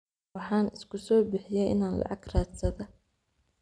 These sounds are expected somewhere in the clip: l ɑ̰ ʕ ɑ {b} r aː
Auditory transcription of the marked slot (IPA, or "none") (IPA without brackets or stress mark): ɡ